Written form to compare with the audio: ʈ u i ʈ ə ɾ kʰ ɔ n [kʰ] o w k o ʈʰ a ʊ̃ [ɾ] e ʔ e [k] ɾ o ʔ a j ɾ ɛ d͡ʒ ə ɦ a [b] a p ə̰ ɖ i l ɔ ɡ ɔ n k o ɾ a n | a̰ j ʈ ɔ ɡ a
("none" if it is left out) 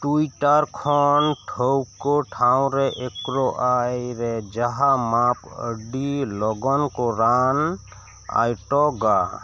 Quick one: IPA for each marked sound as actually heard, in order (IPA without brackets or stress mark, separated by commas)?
ʈʰ, ɾ, k, m